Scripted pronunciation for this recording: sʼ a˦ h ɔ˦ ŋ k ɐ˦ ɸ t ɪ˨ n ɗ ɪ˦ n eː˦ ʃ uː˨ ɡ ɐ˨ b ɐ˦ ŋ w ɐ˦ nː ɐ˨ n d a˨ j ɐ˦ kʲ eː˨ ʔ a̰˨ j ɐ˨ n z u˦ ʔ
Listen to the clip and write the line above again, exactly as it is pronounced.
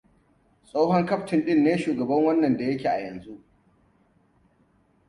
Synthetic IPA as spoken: sʼ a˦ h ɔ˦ ŋ k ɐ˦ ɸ t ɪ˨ n ɗ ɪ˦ nː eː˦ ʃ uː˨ ɡ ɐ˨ b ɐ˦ ŋ w ɐ˦ nː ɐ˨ n d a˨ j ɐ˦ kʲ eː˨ ʔ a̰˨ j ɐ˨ n z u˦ ʔ